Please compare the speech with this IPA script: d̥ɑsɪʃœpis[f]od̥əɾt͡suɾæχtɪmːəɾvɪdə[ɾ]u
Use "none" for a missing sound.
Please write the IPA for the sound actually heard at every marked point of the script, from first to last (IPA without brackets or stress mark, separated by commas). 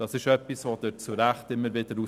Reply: v, ɾ